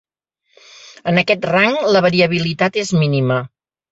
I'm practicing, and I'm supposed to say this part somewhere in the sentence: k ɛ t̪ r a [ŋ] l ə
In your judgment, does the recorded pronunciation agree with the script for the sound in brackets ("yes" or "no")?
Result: yes